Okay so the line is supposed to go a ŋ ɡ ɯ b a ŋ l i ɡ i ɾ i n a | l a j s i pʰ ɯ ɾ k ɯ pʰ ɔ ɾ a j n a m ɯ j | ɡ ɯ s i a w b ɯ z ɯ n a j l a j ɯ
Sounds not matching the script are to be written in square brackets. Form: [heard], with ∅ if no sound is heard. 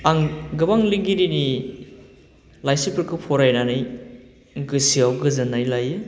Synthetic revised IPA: a ŋ ɡ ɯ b a ŋ l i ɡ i ɾ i n [i] | l a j s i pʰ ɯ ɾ k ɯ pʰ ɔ ɾ a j n a [n] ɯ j | ɡ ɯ s i a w [ɡ] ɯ z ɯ n a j l a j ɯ

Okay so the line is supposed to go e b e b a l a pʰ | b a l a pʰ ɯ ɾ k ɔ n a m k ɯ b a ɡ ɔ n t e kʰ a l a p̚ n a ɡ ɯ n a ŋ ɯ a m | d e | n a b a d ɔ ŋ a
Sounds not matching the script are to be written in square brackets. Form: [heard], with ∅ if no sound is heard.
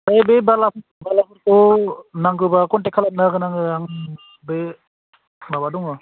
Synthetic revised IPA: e b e b a l a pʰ | b a l a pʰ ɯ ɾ k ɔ n a [ŋ] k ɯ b a [k] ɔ n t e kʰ a l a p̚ n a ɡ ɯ n a ŋ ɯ a [ŋ] | [b] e | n a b a d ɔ ŋ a

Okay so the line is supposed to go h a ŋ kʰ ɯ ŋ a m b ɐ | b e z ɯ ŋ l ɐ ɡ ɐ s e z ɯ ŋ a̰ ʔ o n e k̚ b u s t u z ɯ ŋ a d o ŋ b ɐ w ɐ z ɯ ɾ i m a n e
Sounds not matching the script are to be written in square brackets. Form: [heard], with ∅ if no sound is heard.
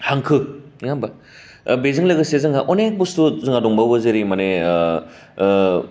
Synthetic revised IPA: h a ŋ kʰ ɯ ŋ a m b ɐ | b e z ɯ ŋ l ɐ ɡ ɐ s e z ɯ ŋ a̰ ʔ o n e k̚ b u s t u z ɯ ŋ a d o ŋ b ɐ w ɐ z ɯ ɾ i m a n e

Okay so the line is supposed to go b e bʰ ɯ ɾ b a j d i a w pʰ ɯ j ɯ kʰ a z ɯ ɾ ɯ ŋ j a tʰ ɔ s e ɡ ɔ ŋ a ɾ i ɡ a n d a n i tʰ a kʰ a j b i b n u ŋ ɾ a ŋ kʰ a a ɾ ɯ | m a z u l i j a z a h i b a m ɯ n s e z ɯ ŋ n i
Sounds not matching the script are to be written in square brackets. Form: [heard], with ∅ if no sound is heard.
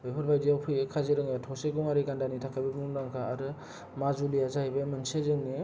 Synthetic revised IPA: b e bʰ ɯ ɾ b a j d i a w pʰ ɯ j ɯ kʰ a z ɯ ɾ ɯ ŋ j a tʰ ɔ s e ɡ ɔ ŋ a ɾ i ɡ a n d a n i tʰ a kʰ a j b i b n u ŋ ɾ a ŋ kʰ a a ɾ ɯ | m a z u l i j a z a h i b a m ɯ n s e z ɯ ŋ n i

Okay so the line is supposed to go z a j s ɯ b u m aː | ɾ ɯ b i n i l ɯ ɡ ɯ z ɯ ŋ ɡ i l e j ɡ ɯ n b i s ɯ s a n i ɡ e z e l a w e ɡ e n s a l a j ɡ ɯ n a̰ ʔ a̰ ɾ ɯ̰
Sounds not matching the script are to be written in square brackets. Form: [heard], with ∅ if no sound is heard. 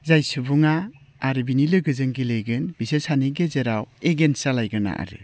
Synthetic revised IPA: z a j s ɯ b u [ŋ] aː | ɾ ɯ b i n i l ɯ ɡ ɯ z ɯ ŋ ɡ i l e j ɡ ɯ n b i s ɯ s a n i ɡ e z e [ɾ] a w e ɡ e n s a l a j ɡ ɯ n a̰ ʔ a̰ ɾ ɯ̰

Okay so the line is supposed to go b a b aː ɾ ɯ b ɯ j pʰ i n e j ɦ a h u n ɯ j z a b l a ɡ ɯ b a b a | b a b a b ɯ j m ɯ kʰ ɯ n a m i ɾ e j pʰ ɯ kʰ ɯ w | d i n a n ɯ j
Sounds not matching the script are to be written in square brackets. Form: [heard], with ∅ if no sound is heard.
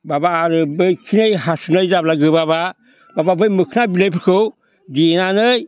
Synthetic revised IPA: b a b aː ɾ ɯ b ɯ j [kʰ] i n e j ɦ a [s] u n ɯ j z a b l a ɡ ɯ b a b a | b a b a b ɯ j m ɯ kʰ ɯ n a [b] i [l] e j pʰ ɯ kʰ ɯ w | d i n a n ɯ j

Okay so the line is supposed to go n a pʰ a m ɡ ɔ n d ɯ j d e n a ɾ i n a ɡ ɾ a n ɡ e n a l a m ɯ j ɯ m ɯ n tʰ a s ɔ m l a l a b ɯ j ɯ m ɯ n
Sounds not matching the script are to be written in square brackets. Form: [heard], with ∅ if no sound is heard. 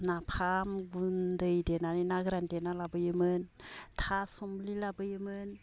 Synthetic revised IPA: n a pʰ a m ɡ [u] n d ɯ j d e n a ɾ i n a ɡ ɾ a n [d] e n a l a [b] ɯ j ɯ m ɯ n tʰ a s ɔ m l [i] l a b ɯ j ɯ m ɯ n

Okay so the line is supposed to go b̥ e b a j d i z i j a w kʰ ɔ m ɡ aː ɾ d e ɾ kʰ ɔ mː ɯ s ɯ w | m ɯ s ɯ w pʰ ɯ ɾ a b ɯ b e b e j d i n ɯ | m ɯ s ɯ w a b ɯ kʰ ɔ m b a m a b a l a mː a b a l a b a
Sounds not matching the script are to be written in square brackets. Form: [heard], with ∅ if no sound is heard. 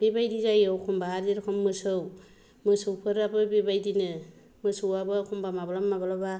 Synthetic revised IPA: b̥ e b a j d i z [a] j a w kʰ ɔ m [b] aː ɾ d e ɾ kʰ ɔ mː ɯ s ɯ w | m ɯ s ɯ w pʰ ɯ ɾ a b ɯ b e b [a] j d i n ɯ | m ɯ s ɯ w a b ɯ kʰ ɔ m b a m a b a l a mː a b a l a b a

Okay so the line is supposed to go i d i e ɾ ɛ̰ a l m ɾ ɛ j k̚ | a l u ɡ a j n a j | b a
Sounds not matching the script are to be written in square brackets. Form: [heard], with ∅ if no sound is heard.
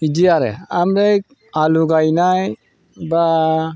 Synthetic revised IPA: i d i [a] ɾ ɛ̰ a [∅] m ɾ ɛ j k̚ | a l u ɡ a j n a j | b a

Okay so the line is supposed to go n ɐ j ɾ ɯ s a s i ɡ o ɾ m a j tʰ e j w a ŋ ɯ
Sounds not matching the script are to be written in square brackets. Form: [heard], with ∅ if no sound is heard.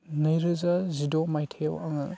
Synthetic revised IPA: n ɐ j ɾ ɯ [z] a [z] i [d] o [∅] m a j tʰ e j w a ŋ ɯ

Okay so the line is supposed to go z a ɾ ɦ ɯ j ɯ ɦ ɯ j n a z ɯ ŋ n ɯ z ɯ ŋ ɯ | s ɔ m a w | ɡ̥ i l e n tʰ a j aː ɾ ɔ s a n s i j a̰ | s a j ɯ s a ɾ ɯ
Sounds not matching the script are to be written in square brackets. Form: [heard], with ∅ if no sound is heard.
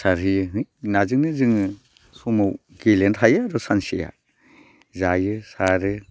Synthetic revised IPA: [s] a ɾ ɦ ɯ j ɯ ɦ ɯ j n a z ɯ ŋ n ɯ z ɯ ŋ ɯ | s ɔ m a w | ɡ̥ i l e n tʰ a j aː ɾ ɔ s a n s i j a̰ | [z] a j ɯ s a ɾ ɯ

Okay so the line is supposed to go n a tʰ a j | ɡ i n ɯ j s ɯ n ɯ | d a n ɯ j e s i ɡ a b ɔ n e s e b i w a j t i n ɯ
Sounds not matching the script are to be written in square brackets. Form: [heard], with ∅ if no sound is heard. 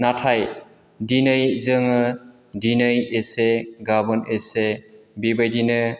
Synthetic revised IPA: n a tʰ a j | [d] i n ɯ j [z] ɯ [ŋ] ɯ | d [i] n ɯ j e s [e] ɡ a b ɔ n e s e b i [b] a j [d] i n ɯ

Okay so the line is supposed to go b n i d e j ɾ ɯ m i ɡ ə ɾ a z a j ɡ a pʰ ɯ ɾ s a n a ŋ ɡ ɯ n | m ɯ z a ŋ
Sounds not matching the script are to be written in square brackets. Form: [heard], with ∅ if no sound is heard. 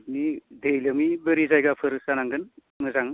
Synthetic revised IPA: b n i d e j [l] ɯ m i [b] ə ɾ [i] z a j ɡ a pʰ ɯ ɾ s a n a ŋ ɡ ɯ n | m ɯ z a ŋ

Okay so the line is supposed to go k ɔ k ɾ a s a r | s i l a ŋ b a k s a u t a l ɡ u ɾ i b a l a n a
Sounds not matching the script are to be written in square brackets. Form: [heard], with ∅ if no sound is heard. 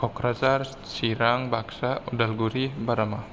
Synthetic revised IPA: k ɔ k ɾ a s a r | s i [ɾ] a ŋ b a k s a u [d] a l ɡ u ɾ i b a [ɾ] a [m] a

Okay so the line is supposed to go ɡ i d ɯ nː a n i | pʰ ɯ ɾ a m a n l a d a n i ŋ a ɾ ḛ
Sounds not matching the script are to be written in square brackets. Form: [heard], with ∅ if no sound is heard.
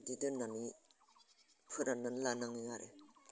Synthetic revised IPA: [d] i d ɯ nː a n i | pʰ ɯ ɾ a [n] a n l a [n] a [ŋ] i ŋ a ɾ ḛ

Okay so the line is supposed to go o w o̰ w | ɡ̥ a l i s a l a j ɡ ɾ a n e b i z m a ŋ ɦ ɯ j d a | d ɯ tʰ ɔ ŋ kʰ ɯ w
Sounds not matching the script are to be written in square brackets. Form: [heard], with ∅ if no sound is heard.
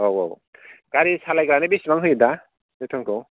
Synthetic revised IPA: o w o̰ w | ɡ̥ a [ɾ] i s a l a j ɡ ɾ a n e b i [s] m a ŋ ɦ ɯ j d a | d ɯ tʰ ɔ ŋ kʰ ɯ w

